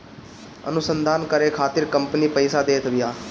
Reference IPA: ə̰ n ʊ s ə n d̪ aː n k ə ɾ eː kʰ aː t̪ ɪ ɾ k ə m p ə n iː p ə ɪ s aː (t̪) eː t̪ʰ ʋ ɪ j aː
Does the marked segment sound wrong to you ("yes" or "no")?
yes